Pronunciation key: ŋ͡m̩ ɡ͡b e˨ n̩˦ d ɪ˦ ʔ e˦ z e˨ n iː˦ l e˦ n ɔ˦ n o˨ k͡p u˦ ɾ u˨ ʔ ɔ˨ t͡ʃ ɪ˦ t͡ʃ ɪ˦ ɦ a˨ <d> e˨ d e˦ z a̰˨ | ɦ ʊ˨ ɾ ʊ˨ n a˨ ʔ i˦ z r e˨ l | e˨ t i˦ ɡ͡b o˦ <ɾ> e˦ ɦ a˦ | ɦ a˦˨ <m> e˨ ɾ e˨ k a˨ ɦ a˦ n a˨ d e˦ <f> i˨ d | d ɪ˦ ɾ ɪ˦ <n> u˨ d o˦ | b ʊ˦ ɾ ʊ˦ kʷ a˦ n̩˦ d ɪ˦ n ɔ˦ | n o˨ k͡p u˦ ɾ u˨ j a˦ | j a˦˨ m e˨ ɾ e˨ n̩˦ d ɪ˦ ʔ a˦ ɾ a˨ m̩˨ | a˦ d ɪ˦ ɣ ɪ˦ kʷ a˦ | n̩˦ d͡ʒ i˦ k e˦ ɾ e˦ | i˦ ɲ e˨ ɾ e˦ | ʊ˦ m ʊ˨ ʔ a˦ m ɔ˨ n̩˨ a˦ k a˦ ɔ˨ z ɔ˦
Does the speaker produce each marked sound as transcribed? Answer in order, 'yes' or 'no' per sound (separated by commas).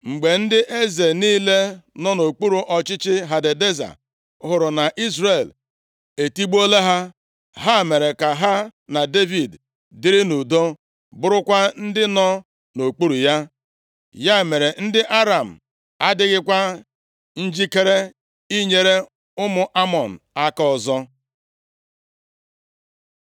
yes, no, yes, no, yes